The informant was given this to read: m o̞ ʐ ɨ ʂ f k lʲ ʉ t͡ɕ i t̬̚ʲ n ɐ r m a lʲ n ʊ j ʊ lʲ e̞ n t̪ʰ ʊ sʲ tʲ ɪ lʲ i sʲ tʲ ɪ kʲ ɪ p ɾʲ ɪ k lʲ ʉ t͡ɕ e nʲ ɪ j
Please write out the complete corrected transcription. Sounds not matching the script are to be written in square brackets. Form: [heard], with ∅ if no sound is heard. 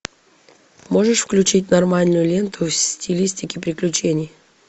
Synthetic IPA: m o̞ ʐ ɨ ʂ f k lʲ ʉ t͡ɕ i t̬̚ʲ n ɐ r m a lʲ n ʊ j ʊ lʲ e̞ n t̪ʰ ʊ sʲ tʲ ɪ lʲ i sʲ tʲ ɪ kʲ ɪ p ɾʲ ɪ k lʲ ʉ t͡ɕ e nʲ ɪ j